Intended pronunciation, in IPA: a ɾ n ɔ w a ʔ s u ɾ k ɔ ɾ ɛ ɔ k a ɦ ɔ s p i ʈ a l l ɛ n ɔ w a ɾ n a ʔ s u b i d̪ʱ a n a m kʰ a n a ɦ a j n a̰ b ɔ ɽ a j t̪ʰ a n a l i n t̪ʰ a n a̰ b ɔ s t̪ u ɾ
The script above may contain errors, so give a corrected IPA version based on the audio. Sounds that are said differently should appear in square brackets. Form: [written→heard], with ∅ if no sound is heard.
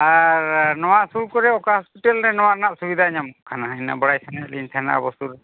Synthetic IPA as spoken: a ɾ n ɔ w a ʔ s u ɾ k ɔ ɾ ɛ ɔ k a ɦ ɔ s p i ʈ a l [l→ɾ] ɛ n ɔ w a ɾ n a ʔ s u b i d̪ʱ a [n→ɲ] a m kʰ a n a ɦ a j n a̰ b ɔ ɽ a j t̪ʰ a n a l i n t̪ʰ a n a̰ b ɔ s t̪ u ɾ